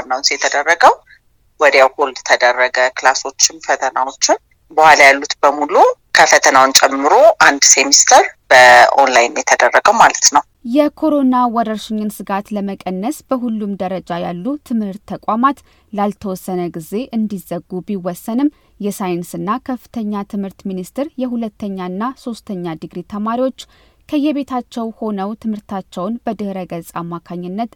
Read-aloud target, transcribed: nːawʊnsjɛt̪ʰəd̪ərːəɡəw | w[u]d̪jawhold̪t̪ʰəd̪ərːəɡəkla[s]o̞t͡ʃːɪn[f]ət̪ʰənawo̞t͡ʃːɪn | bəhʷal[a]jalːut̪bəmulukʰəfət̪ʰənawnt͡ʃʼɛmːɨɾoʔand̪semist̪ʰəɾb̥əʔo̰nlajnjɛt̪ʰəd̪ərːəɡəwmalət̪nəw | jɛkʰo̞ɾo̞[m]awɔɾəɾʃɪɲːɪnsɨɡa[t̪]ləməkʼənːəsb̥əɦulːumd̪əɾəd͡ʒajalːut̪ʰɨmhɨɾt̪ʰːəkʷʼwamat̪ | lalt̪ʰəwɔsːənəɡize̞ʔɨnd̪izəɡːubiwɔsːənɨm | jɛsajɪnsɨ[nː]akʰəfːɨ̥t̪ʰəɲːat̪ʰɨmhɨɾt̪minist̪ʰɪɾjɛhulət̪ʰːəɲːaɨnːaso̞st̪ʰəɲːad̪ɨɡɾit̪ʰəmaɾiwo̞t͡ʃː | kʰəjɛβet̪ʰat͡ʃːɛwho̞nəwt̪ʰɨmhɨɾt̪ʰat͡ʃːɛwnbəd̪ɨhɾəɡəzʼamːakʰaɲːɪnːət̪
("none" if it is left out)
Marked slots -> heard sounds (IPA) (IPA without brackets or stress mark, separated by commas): ɔ, s, f, a, n, t̪, nː